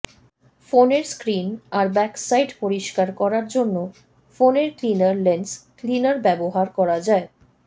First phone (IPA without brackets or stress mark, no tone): f